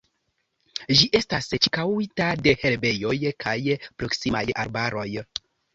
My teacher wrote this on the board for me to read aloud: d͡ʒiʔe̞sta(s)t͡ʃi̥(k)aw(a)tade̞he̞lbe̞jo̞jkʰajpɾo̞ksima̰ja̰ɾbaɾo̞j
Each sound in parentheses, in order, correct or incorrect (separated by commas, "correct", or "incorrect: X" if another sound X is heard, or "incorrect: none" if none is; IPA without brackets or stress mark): correct, correct, incorrect: i